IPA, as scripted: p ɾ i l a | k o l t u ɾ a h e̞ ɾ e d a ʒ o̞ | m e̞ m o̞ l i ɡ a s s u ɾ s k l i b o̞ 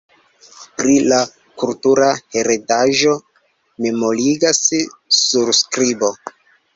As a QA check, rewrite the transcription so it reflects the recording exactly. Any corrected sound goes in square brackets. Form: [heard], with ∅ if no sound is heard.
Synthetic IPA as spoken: p ɾ i l a | k [u] l t u ɾ a h e̞ ɾ e d a ʒ o̞ | m e̞ m o̞ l i ɡ a s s u ɾ s k [ɾ] i b o̞

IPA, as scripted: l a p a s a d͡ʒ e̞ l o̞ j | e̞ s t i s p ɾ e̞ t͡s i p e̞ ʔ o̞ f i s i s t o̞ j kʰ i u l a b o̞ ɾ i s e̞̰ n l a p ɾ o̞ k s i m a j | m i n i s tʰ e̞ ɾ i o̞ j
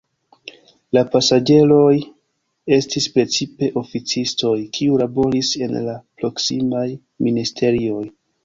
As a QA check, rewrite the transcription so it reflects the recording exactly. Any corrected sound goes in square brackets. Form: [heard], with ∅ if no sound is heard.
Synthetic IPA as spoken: l a p a s a d͡ʒ e̞ l o̞ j | e̞ s t i s p ɾ e̞ t͡s i p e̞ ʔ o̞ f i [t͡s] i s t o̞ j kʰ i u l a b o̞ ɾ i s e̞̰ n l a p ɾ o̞ k s i m a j | m i n i s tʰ e̞ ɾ i o̞ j

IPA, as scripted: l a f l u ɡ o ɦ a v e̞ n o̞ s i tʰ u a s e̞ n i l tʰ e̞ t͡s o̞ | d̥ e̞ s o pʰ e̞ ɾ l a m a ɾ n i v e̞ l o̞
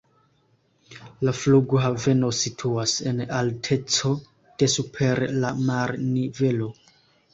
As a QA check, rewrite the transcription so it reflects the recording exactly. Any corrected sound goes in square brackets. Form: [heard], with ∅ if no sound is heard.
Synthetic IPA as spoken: l a f l u ɡ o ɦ a v e̞ n o̞ s i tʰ u a s e̞ n [a] l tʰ e̞ t͡s o̞ | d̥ e̞ s [u] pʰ e̞ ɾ l a m a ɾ n i v e̞ l o̞

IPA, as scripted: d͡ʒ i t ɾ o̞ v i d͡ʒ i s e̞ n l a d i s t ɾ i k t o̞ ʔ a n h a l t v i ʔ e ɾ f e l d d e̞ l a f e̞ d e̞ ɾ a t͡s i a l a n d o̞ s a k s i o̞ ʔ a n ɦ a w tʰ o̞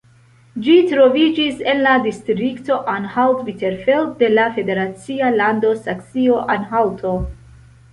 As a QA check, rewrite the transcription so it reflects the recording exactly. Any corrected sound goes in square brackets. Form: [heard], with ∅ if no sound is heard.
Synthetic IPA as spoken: d͡ʒ i t ɾ o̞ v i d͡ʒ i s e̞ n l a d i s t ɾ i k t o̞ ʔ a n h a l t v i [t] e ɾ f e l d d e̞ l a f e̞ d e̞ ɾ a t͡s i a l a n d o̞ s a k s i o̞ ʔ a n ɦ a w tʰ o̞

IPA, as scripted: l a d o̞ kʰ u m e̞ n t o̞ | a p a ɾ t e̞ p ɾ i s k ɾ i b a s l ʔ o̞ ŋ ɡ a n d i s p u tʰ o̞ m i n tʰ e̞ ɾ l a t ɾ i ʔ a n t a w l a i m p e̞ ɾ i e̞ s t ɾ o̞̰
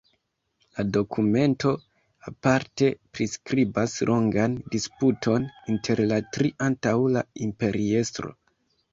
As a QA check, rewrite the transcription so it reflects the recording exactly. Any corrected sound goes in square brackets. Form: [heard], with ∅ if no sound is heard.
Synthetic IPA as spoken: l a d o̞ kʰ u m e̞ n t o̞ | a p a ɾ t e̞ p ɾ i s k ɾ i b a s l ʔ o̞ ŋ ɡ a n d i s p u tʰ o̞ [n] i n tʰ e̞ ɾ l a t ɾ i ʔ a n t a w l a i m p e̞ ɾ i e̞ s t ɾ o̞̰

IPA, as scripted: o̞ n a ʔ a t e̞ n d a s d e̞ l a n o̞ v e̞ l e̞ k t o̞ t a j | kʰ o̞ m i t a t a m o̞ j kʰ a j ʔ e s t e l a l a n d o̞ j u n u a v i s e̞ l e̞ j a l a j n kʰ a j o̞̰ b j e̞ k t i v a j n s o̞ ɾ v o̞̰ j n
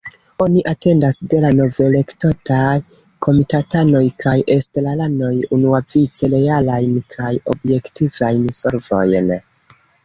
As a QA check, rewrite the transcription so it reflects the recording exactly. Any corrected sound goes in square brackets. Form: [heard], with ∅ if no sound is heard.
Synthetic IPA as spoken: o̞ n [i] ʔ a t e̞ n d a s d e̞ l a n o̞ v e̞ l e̞ k t o̞ t a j | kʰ o̞ m i t a t a [n] o̞ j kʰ a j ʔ e s t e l a l a n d o̞ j u n u a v i [t͡s] e̞ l e̞ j a l a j n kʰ a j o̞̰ b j e̞ k t i v a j n s o̞ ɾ v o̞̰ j n

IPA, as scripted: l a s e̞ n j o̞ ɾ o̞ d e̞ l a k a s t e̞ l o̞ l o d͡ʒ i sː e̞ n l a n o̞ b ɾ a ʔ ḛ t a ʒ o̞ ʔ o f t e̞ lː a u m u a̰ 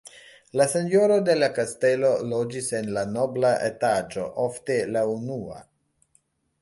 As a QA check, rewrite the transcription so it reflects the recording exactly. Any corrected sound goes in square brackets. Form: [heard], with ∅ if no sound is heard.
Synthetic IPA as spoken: l a s e̞ n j o̞ ɾ o̞ d e̞ l a k a s t e̞ l o̞ l o d͡ʒ i [s] e̞ n l a n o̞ b [l] a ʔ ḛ t a [d͡ʒ] o̞ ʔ o f t e̞ [l] a u [n] u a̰

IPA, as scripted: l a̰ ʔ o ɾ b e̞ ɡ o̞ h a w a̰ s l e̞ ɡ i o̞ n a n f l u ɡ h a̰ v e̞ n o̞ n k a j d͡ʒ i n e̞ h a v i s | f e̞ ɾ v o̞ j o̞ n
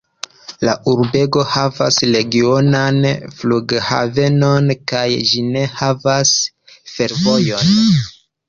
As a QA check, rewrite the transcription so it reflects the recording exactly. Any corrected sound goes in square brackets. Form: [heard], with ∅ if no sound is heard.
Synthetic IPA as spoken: l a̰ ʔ [u] ɾ b e̞ ɡ o̞ h a [v] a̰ s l e̞ ɡ i o̞ n a n f l u ɡ h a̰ v e̞ n o̞ n k a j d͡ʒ i n e̞ h a v [a] s | f e̞ ɾ v o̞ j o̞ n

